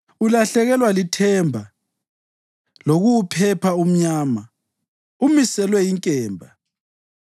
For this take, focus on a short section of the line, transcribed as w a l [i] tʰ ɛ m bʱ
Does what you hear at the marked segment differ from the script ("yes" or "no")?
no